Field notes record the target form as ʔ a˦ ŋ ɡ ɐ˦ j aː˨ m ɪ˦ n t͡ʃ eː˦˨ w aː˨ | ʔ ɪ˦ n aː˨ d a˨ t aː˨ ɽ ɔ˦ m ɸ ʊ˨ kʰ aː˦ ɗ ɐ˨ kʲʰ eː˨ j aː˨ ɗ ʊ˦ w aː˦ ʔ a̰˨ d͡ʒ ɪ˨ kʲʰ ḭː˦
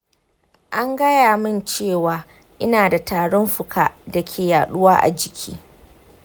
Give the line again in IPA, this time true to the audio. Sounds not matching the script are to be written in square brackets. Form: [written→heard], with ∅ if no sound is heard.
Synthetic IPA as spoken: ʔ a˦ ŋ ɡ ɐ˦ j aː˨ m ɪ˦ n t͡ʃ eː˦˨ w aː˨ | ʔ ɪ˦ n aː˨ d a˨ t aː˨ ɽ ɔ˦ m ɸ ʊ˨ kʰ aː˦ [ɗ→d] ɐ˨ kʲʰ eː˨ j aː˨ ɗ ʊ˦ w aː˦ ʔ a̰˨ d͡ʒ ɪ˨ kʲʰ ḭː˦